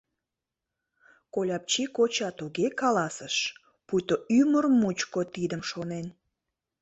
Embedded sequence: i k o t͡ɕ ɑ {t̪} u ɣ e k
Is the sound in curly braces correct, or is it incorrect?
correct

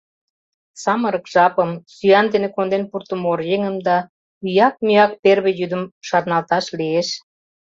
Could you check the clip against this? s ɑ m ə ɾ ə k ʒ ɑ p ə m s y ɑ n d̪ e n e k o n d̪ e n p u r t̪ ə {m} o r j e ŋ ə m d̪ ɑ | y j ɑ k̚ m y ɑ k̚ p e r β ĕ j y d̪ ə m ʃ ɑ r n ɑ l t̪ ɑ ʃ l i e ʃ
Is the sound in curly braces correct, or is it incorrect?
correct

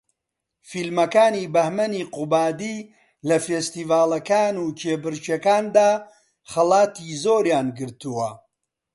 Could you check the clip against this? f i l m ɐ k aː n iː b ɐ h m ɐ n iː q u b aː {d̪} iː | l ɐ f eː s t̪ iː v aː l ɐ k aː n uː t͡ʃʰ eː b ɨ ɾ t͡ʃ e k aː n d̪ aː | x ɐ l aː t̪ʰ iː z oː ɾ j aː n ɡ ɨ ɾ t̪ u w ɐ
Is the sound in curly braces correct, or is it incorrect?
correct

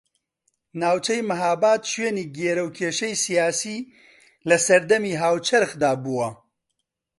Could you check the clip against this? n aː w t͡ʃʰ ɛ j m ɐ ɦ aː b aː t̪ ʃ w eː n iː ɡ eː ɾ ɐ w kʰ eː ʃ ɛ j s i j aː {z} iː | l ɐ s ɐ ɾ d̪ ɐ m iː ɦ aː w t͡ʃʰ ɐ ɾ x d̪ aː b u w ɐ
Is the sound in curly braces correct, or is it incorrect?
incorrect: s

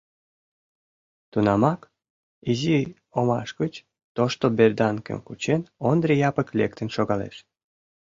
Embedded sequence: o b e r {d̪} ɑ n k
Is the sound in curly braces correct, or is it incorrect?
correct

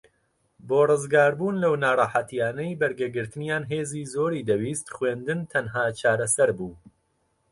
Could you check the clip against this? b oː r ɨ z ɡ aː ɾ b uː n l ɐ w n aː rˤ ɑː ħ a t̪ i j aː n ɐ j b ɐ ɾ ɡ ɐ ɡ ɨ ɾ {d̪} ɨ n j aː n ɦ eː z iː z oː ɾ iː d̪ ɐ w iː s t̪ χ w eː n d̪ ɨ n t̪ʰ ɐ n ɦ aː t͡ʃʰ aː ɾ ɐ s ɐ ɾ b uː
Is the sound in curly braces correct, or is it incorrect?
incorrect: t̪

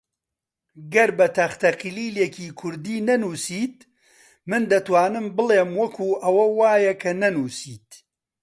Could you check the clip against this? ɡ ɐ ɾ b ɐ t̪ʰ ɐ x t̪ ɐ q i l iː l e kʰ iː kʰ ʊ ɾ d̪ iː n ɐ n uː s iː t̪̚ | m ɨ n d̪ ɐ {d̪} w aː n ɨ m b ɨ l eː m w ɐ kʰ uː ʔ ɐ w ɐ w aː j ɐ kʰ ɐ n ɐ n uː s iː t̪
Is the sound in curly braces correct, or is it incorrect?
incorrect: t̪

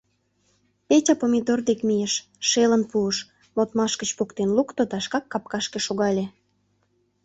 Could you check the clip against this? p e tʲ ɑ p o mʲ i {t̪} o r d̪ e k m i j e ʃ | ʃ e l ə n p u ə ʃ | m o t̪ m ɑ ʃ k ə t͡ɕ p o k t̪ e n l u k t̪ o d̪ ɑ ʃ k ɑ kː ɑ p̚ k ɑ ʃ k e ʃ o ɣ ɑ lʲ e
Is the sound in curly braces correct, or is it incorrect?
incorrect: d̪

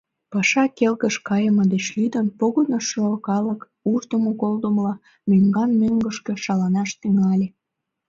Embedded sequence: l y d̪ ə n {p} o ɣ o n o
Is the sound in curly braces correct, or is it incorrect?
correct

